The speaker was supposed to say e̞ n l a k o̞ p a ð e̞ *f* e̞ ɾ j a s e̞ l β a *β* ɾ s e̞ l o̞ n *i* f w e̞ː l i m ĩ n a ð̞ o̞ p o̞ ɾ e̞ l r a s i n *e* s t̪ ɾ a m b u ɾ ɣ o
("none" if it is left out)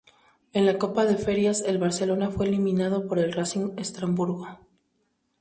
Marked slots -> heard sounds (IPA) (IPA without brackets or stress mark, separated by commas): f, none, a, e